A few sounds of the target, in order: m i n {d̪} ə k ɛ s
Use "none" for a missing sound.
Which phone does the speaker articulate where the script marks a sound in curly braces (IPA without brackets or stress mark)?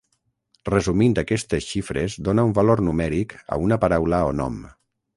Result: d̪